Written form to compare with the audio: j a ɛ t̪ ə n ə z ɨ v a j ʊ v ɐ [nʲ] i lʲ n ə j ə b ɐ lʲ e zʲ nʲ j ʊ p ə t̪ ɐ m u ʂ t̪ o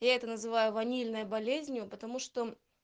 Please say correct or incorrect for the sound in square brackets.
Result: correct